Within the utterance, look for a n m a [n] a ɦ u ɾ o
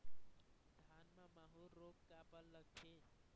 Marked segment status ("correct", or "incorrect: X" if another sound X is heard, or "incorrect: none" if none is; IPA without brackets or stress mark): incorrect: m